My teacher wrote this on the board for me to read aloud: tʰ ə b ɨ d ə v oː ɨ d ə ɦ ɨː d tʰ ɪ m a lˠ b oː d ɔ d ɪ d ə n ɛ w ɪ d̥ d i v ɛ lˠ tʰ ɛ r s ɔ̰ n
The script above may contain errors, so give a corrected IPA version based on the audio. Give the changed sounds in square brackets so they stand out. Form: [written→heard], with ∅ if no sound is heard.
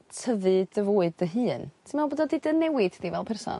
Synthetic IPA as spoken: tʰ ə [b→v] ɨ d ə v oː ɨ d ə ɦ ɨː [d→n] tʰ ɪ m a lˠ b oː d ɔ d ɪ d ə n ɛ w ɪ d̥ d i v ɛ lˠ [tʰ→pʰ] ɛ r s ɔ̰ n